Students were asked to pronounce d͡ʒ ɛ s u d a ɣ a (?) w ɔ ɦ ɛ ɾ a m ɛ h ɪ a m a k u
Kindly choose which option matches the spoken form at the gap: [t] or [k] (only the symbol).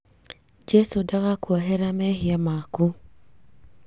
k